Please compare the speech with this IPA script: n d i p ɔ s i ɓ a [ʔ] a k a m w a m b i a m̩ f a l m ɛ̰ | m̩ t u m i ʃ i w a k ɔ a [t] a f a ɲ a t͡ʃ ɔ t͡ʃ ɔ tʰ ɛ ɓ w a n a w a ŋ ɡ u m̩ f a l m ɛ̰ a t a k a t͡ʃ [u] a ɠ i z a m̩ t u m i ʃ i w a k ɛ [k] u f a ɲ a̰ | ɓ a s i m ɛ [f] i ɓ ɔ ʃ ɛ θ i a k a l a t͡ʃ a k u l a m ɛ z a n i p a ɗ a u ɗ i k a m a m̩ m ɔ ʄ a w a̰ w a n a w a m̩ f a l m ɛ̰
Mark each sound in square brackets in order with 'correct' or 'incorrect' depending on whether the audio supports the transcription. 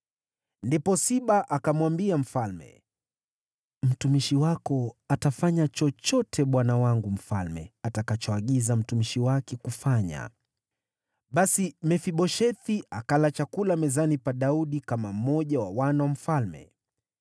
correct, correct, incorrect, correct, correct

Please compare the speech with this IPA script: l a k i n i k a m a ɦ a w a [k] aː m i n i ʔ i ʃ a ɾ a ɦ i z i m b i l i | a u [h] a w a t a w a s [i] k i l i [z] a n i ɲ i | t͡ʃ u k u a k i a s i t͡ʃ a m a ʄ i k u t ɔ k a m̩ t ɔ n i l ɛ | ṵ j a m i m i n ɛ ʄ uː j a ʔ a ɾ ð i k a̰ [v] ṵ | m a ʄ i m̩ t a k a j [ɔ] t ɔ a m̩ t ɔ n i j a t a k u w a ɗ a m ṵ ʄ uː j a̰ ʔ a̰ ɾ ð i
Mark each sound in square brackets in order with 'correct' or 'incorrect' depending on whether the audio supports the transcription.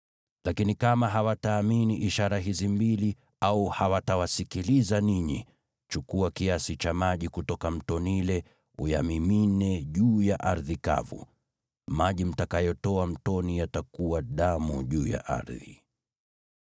incorrect, correct, correct, correct, correct, correct

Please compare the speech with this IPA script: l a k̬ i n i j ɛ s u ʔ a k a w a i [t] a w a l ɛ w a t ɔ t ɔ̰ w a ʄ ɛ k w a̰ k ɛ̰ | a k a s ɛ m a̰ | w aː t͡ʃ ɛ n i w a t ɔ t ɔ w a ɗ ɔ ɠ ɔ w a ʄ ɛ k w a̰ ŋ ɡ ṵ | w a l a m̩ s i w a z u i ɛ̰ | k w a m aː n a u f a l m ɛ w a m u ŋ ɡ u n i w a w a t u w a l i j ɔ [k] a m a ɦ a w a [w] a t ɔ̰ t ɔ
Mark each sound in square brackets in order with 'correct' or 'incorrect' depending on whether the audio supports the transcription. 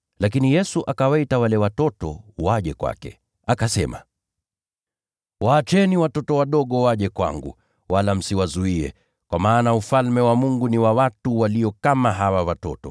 correct, correct, correct

